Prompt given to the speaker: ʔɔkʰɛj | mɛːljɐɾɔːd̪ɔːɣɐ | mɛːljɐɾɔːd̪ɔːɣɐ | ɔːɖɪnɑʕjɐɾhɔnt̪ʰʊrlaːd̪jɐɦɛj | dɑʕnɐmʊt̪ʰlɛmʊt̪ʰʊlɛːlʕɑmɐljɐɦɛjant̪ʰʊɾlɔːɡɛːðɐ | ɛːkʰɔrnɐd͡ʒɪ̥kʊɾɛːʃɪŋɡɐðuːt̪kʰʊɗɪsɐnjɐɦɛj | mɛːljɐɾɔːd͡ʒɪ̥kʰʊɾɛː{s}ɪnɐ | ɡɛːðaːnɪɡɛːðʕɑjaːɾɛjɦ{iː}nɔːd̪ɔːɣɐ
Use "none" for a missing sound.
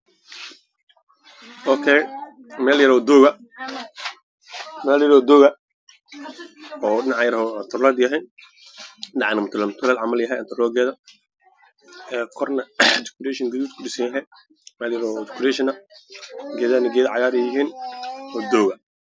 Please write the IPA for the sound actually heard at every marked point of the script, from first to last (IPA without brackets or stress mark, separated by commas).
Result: ʃ, iː